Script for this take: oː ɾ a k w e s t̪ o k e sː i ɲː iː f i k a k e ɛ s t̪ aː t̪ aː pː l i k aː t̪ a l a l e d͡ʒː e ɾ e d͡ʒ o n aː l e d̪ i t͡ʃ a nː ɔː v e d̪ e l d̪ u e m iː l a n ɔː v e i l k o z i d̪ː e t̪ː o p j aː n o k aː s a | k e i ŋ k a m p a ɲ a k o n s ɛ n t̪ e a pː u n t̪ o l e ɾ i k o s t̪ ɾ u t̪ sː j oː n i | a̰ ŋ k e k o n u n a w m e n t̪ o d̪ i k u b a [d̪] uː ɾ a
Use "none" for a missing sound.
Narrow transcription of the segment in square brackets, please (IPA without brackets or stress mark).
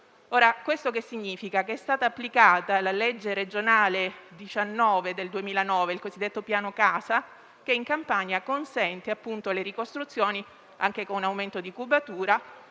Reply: t̪